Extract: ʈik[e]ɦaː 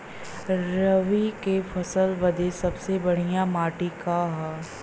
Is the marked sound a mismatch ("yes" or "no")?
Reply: yes